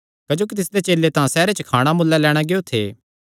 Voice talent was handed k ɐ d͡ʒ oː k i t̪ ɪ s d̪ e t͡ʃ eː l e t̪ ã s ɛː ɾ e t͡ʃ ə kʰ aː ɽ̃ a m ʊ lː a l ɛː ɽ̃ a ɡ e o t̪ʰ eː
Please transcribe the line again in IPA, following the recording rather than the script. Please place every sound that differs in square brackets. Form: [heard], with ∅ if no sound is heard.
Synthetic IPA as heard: k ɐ d͡ʒ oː k i t̪ ɪ s d̪ e t͡ʃ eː l e t̪ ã s ɛː ɾ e t͡ʃ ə kʰ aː ɽ̃ a m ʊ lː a l ɛː ɽ̃ a ɡ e o t̪ʰ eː